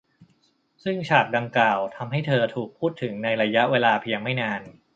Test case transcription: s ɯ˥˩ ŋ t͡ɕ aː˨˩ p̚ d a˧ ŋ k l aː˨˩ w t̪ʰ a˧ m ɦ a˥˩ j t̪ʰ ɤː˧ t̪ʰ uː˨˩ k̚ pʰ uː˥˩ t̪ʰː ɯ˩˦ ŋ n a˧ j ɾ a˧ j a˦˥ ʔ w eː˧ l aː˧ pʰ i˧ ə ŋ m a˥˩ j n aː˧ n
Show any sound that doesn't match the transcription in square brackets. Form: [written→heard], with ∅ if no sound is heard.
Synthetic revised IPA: s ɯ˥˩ ŋ [t͡ɕ→t͡ɕʰ] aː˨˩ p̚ d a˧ ŋ k l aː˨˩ w t̪ʰ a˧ m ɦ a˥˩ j t̪ʰ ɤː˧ t̪ʰ uː˨˩ k̚ pʰ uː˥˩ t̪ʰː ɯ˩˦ ŋ n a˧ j ɾ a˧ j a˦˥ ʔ w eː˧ l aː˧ pʰ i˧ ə ŋ m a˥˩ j n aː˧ n